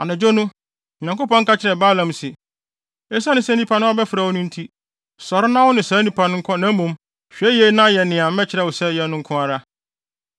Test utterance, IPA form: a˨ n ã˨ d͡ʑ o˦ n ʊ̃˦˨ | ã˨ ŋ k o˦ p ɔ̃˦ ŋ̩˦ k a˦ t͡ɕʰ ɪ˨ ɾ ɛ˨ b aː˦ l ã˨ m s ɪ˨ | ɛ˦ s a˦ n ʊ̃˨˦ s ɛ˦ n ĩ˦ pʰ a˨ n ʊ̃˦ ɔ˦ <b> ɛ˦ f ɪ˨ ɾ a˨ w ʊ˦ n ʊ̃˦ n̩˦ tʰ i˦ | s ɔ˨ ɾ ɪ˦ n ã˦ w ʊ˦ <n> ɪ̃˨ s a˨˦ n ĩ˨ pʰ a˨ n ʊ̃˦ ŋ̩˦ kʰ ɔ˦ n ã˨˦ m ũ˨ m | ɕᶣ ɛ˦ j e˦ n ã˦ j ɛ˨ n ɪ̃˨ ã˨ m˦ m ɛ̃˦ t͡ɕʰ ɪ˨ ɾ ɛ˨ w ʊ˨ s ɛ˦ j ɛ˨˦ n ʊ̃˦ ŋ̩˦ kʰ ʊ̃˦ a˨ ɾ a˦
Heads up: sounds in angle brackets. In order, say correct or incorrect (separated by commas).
correct, correct